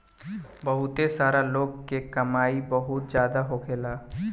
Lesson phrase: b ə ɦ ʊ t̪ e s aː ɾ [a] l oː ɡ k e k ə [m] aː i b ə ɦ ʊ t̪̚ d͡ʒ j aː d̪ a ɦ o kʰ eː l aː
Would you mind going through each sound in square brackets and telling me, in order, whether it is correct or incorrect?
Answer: correct, correct

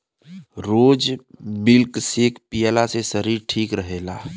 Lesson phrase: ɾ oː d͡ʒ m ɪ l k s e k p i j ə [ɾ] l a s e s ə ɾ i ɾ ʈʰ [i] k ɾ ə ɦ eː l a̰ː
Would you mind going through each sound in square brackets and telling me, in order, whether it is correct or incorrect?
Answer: incorrect, incorrect

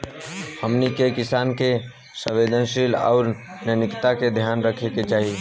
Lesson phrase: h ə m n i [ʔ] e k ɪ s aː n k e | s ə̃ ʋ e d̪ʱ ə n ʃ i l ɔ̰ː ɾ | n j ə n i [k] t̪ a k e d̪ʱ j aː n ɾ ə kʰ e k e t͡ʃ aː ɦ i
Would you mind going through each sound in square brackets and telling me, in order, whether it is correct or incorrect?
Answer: incorrect, correct

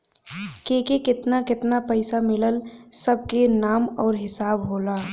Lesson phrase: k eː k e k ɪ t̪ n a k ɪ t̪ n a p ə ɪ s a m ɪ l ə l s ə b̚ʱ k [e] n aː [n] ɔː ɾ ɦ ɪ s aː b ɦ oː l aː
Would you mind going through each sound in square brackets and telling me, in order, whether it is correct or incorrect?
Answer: correct, incorrect

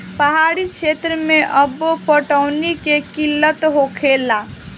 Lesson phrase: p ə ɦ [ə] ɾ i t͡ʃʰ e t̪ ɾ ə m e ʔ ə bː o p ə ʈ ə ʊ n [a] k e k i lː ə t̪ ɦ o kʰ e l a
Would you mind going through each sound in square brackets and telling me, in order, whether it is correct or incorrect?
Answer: incorrect, incorrect

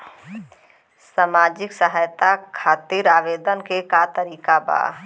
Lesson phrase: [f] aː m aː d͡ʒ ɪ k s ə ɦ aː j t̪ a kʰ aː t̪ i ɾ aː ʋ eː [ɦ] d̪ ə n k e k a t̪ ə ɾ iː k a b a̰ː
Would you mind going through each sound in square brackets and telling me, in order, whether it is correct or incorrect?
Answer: incorrect, incorrect

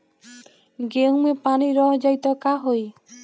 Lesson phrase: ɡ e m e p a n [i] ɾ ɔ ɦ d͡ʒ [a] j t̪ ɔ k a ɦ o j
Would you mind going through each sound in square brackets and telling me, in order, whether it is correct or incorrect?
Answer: correct, correct

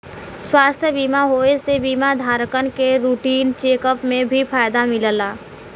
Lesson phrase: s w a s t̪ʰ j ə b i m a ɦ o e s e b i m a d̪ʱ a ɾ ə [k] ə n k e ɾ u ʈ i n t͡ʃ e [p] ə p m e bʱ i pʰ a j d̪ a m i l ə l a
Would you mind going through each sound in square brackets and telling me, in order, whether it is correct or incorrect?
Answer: correct, incorrect

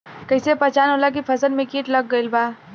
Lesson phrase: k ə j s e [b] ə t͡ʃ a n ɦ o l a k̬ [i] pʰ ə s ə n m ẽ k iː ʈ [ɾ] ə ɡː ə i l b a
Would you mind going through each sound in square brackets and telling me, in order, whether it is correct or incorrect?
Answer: incorrect, correct, incorrect

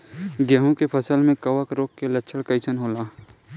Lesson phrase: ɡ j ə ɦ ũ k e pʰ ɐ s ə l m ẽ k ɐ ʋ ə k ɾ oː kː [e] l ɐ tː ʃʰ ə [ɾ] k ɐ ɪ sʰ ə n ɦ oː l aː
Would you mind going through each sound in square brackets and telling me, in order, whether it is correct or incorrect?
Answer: correct, incorrect

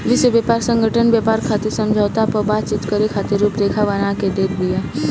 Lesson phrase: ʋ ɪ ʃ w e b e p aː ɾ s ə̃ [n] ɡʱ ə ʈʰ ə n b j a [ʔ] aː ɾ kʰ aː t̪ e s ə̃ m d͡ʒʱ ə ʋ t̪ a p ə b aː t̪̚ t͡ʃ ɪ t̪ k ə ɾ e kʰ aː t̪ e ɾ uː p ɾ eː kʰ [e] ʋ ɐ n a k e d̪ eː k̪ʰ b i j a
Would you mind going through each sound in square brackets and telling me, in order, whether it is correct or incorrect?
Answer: incorrect, incorrect, incorrect

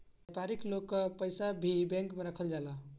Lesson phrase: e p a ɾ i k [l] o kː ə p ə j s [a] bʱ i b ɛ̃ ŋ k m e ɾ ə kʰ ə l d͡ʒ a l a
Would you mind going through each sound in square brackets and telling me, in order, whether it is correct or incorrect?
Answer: correct, correct

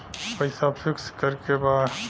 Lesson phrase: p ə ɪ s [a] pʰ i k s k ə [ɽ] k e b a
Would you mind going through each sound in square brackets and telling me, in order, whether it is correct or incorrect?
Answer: correct, incorrect

